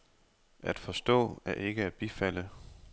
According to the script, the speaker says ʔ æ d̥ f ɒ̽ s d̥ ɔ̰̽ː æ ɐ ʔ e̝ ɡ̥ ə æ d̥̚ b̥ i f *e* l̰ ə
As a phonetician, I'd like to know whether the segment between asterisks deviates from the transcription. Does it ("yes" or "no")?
yes